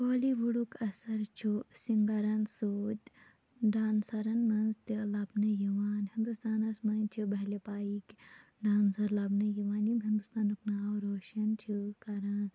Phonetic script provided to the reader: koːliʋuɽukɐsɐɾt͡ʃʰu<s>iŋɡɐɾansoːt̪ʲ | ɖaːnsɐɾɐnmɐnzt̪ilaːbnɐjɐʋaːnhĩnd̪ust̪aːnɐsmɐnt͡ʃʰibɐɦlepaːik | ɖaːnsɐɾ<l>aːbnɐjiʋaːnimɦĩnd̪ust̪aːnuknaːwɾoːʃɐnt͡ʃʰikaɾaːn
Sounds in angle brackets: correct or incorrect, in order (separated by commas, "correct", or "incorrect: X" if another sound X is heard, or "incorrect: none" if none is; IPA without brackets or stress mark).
correct, correct